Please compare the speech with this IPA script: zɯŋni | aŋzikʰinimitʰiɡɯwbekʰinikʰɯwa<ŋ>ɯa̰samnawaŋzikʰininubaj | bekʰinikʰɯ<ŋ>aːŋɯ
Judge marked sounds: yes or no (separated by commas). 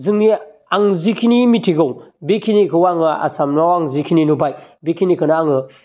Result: yes, no